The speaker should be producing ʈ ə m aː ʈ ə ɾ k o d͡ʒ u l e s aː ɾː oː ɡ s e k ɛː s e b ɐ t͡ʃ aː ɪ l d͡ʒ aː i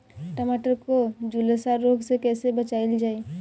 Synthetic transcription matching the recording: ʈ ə m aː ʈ ə ɾ k o d͡ʒ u l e s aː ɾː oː ɡ s e k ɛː s e b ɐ t͡ʃ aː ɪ l d͡ʒ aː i